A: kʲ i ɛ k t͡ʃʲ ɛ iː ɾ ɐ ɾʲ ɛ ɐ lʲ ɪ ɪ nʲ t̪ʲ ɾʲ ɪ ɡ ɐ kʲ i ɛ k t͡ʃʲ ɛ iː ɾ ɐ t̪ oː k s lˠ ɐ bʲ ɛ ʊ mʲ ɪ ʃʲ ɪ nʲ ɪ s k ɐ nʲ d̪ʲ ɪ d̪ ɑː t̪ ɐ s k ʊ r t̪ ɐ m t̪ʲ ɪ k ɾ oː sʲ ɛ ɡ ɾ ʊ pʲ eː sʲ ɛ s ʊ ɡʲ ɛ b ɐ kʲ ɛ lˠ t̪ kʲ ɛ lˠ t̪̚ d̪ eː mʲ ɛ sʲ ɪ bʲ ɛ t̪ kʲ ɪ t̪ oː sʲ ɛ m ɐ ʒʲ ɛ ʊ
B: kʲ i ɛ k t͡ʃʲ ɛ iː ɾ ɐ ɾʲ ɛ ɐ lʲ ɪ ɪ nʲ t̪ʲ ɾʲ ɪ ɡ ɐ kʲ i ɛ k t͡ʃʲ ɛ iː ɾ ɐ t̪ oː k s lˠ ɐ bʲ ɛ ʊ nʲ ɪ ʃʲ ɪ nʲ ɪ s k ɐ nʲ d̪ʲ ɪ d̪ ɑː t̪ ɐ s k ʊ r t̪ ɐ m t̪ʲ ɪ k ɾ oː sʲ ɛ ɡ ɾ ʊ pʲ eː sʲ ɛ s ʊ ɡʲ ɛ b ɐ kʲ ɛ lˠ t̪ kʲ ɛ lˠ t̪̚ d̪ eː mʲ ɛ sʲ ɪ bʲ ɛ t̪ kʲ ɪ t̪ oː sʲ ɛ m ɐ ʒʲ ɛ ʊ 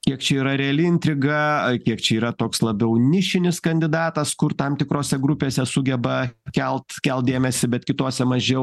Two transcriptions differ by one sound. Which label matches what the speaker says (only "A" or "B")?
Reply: B